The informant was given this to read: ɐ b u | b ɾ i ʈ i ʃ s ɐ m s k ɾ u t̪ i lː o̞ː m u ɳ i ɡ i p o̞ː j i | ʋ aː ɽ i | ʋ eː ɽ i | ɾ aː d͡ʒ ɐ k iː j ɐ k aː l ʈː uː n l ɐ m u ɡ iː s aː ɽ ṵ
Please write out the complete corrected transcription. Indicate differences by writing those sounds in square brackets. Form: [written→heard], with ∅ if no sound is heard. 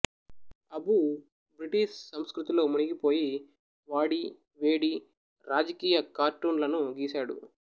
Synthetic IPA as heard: ɐ b u | b ɾ i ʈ i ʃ s ɐ m s k ɾ u t̪ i [lː→l] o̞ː m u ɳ i ɡ i p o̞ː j i | ʋ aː ɽ i | ʋ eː ɽ i | ɾ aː d͡ʒ ɐ k iː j ɐ k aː [l→ɾ] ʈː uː n l ɐ [m→n] u ɡ iː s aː ɽ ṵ